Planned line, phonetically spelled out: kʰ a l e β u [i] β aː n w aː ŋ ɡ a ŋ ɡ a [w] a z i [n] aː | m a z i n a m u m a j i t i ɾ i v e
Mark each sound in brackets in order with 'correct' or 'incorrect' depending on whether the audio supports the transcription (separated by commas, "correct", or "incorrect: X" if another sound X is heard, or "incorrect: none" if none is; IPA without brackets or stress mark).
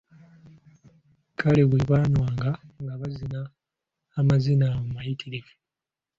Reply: correct, incorrect: β, correct